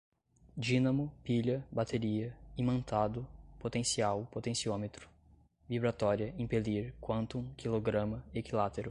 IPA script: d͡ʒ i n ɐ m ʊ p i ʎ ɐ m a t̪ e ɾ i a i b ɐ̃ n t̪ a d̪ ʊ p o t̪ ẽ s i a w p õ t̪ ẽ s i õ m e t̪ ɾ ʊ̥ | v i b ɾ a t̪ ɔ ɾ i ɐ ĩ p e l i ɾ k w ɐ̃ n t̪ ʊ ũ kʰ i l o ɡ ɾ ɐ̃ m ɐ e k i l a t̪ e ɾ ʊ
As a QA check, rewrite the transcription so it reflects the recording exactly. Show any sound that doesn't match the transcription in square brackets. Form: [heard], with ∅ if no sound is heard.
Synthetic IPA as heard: d͡ʒ i n ɐ m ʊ p i ʎ ɐ [b] a t̪ e ɾ i [ɐ] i [m] ɐ̃ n t̪ a d̪ ʊ p o t̪ ẽ s i a w p [o] t̪ ẽ s i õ m e t̪ ɾ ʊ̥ | v i b ɾ a t̪ ɔ ɾ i ɐ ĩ p e l i ɾ k w ɐ̃ n t̪ ʊ ũ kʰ i l o ɡ ɾ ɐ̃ m ɐ e k i l a t̪ e ɾ ʊ